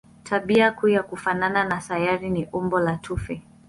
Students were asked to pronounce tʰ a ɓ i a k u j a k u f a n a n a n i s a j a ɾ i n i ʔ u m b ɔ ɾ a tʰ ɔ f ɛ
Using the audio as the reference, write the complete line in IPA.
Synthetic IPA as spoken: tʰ a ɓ i a k u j a k u f a n a n a n a s a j a ɾ i n i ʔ u m b ɔ l a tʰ u f ɛ